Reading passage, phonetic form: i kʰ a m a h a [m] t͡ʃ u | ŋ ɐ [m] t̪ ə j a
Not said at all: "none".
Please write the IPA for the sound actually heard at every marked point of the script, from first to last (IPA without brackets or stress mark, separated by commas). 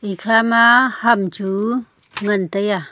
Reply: m, n